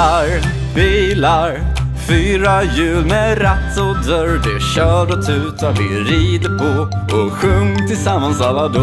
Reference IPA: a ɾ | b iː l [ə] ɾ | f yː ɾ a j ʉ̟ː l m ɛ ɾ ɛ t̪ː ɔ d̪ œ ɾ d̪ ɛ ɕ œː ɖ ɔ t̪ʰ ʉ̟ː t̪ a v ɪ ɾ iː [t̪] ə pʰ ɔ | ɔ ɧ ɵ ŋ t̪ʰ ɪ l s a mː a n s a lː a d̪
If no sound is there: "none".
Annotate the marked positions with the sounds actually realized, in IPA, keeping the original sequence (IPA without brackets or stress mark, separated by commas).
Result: a, d̪